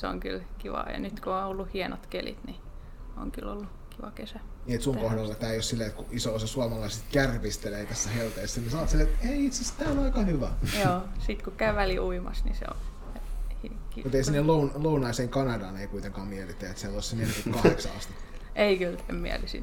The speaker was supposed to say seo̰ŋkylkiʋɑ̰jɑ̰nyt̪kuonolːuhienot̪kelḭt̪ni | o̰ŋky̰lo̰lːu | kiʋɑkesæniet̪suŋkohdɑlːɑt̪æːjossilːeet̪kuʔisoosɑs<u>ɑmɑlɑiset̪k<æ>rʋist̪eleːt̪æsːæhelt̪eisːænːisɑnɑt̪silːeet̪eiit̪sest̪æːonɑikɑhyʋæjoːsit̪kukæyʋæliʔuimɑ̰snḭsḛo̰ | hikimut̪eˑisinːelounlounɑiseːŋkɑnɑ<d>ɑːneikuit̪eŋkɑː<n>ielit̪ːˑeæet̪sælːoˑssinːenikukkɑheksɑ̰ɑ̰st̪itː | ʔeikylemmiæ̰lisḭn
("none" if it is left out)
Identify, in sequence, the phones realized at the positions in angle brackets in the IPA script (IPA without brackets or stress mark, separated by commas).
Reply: u, æ, d, m